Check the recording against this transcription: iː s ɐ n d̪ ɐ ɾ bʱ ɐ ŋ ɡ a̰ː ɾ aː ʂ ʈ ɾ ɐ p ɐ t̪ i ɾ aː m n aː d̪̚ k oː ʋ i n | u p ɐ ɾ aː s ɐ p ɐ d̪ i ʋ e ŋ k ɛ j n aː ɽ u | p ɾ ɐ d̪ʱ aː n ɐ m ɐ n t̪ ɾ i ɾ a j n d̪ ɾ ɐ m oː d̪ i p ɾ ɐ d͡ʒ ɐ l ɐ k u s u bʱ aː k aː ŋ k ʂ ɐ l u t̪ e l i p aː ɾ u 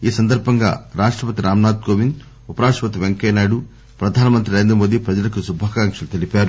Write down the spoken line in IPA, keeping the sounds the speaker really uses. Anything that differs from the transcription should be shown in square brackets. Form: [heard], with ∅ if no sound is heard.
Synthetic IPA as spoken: iː s ɐ n d̪ ɐ ɾ bʱ ɐ ŋ ɡ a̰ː ɾ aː ʂ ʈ ɾ ɐ p ɐ t̪ i ɾ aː m n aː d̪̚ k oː ʋ i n | u p ɐ ɾ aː [ʂ] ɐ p ɐ [t̪] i ʋ e ŋ k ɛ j n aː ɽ u | p ɾ ɐ d̪ʱ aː n ɐ m ɐ n t̪ ɾ i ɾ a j n d̪ ɾ ɐ m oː d̪ i p ɾ ɐ d͡ʒ ɐ l ɐ k u s u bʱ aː k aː ŋ k ʂ ɐ l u t̪ e l i p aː ɾ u